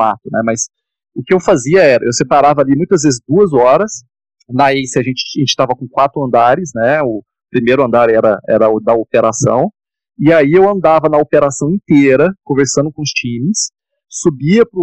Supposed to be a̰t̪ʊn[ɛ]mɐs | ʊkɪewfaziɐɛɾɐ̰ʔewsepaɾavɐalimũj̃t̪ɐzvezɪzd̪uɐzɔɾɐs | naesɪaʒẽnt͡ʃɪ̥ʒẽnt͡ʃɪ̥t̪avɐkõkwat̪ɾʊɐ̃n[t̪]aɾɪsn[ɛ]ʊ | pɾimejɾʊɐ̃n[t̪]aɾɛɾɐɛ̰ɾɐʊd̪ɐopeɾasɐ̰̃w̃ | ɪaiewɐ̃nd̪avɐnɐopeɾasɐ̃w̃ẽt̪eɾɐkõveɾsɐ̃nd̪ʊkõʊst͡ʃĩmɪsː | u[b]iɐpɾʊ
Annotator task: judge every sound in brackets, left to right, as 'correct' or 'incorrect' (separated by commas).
correct, incorrect, correct, incorrect, correct